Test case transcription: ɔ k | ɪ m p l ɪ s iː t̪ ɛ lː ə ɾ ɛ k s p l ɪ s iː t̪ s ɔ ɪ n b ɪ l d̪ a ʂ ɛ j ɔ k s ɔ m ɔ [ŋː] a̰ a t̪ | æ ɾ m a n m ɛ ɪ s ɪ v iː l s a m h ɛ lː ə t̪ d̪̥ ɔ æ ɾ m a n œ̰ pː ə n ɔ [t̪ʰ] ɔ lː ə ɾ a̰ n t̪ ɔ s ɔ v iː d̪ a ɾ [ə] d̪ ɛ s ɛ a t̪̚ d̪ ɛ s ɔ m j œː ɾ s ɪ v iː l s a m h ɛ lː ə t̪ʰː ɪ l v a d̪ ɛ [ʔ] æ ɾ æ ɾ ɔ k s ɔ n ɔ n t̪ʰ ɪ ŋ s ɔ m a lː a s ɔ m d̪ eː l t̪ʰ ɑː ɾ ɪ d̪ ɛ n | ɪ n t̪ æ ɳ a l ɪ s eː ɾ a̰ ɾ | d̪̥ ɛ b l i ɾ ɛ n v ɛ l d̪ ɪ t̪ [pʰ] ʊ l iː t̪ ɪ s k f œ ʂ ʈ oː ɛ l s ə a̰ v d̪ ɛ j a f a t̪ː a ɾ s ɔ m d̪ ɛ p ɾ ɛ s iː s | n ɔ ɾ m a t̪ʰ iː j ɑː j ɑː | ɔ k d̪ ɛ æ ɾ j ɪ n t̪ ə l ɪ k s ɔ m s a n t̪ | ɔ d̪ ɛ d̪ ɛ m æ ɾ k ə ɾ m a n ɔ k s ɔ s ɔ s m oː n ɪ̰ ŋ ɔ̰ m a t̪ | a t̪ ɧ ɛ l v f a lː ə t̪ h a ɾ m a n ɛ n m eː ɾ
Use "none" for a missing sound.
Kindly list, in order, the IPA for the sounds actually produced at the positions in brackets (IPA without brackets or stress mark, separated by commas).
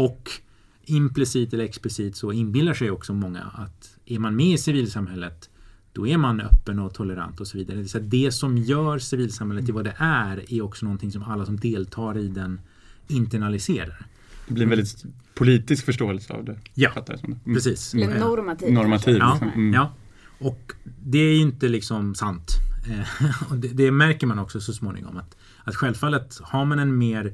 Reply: ŋː, t̪ʰ, ə, ʔ, pʰ